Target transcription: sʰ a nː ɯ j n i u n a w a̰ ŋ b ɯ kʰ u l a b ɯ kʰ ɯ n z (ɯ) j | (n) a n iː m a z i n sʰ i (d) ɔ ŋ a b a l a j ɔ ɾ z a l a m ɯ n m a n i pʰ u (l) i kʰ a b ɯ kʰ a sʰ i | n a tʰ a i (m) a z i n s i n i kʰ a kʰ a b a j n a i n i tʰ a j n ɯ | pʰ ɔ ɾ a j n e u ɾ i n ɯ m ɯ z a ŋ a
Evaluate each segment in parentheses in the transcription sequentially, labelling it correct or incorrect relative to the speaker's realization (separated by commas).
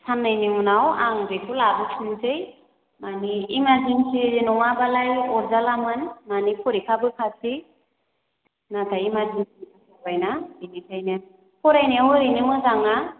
correct, incorrect, incorrect, incorrect, correct